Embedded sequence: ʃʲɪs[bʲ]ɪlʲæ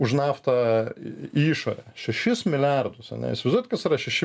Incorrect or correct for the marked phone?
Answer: incorrect: mʲ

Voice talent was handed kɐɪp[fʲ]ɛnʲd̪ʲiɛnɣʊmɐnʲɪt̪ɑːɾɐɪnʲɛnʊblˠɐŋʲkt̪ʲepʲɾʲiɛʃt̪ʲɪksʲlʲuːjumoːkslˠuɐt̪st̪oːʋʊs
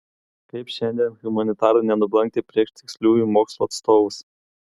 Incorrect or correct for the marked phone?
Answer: incorrect: ʃʲ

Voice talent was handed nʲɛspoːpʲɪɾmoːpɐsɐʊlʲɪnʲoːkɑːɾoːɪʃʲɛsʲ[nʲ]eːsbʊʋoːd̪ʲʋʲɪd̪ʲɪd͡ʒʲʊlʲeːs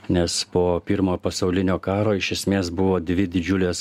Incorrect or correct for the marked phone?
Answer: incorrect: mʲ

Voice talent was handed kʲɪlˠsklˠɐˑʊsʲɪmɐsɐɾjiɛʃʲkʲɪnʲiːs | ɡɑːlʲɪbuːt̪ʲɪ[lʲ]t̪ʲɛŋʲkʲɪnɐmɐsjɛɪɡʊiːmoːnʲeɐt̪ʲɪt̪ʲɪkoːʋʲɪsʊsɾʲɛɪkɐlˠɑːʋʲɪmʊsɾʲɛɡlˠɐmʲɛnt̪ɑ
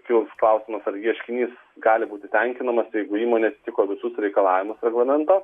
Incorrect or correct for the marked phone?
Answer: incorrect: none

